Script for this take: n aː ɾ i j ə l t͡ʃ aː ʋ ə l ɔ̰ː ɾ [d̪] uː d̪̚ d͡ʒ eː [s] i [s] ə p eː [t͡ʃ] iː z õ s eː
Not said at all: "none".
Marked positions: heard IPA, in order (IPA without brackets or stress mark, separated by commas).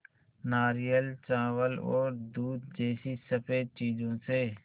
d̪, s, s, t͡ʃ